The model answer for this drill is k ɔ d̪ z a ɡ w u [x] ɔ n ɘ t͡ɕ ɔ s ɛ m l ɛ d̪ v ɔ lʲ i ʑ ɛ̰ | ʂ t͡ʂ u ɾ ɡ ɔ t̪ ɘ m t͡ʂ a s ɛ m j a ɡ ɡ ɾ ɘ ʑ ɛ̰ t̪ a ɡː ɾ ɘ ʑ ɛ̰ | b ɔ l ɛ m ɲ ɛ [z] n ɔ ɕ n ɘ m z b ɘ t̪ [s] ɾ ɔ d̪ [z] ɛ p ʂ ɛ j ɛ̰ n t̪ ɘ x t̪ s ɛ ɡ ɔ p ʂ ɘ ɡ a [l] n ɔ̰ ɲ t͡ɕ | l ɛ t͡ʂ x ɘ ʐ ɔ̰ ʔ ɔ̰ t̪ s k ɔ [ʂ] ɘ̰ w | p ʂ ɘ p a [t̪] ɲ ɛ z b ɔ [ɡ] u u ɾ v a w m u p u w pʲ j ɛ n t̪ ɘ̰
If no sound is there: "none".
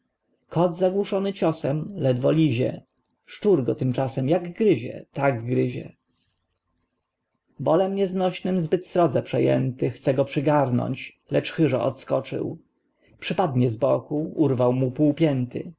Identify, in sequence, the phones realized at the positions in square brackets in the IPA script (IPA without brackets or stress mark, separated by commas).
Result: ʂ, z, s, z, ɾ, t͡ʂ, d̪, k